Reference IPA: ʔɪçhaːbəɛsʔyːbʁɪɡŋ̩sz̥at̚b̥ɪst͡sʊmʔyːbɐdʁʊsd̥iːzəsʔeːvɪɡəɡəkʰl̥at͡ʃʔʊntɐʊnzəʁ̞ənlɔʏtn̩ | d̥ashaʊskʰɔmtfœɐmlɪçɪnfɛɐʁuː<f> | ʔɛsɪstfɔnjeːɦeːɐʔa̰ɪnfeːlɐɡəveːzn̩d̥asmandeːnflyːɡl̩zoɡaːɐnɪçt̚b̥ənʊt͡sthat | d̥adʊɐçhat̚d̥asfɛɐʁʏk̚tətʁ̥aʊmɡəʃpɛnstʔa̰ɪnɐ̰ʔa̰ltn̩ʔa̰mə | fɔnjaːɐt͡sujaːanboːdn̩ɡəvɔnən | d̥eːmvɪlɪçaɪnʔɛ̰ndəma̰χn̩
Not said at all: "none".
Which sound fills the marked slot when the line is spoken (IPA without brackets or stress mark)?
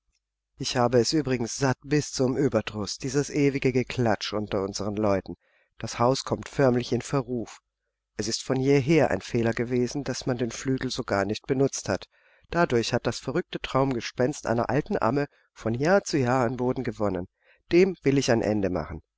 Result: f